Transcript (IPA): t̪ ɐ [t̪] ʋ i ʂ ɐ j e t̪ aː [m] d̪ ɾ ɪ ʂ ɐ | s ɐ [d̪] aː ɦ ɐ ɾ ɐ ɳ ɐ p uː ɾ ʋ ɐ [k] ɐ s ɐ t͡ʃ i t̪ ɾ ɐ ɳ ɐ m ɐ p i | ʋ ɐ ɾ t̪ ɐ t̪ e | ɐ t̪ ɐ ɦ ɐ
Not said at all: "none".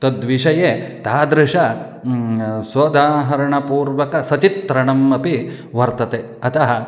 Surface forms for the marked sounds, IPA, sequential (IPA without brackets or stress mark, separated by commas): d̪, none, d̪, k